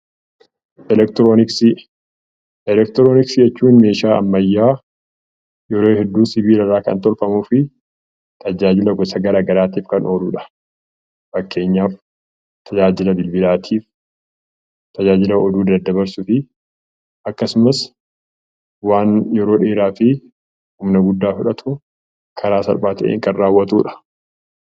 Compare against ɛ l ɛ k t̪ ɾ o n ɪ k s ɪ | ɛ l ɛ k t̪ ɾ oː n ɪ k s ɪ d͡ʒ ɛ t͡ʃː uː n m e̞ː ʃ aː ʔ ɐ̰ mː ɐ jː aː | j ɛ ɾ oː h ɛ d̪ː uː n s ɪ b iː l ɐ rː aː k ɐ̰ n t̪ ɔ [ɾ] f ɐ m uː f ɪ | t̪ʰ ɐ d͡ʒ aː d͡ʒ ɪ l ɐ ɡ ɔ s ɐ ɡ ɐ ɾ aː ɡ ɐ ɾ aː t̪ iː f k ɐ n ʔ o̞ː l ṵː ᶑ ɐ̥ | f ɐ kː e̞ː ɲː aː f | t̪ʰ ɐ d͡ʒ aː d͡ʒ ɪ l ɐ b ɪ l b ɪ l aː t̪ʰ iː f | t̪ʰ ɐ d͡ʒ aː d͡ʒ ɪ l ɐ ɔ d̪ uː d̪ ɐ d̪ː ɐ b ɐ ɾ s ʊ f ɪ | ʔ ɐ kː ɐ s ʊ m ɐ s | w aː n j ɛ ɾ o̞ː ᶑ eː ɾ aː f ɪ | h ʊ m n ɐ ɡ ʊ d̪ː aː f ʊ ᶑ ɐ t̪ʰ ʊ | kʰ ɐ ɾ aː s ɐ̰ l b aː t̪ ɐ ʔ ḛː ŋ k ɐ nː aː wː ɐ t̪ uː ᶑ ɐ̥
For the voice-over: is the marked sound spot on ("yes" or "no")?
no